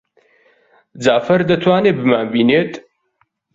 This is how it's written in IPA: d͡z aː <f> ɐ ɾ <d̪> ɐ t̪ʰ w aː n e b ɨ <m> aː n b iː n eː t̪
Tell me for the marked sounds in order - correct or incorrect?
correct, correct, correct

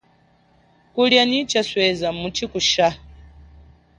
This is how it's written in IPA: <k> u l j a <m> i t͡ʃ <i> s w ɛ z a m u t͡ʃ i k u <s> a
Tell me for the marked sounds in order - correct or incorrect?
correct, incorrect, incorrect, incorrect

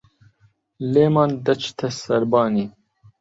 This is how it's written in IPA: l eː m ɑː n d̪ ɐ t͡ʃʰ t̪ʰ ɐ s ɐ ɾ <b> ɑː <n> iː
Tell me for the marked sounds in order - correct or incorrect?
correct, correct

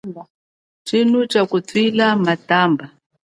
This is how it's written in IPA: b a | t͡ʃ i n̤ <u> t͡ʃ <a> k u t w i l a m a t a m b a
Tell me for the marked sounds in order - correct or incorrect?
correct, correct

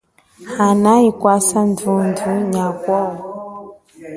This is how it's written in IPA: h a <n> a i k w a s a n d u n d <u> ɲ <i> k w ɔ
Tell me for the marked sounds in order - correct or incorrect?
correct, correct, incorrect

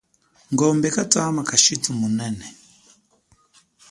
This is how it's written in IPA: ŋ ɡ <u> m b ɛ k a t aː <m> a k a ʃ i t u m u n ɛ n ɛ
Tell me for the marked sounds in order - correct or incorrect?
incorrect, correct

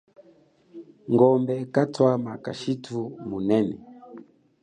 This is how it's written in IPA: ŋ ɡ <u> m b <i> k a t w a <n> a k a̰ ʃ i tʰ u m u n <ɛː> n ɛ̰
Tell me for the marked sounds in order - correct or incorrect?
incorrect, incorrect, incorrect, incorrect

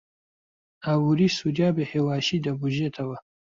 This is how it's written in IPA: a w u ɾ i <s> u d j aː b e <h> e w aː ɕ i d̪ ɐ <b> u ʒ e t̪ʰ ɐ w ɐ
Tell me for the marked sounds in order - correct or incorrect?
correct, correct, correct

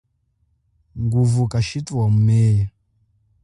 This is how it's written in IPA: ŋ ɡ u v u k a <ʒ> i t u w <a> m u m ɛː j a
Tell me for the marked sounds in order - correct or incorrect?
incorrect, correct

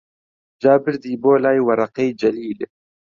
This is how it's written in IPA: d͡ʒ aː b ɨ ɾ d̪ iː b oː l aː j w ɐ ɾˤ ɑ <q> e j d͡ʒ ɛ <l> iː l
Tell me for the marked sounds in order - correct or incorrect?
correct, correct

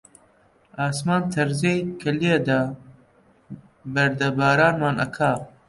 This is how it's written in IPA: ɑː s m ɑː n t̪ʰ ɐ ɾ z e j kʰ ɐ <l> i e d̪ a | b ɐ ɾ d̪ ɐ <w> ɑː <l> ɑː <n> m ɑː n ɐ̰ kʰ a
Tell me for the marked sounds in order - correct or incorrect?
correct, incorrect, incorrect, correct

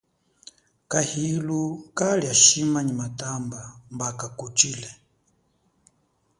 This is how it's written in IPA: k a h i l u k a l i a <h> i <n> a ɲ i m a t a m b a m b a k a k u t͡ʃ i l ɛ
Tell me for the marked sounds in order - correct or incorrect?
incorrect, incorrect

